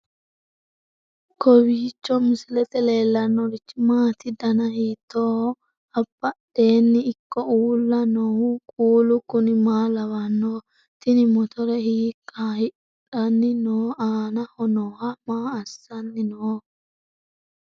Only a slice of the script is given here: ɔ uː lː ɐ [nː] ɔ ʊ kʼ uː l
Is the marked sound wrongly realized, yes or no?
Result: yes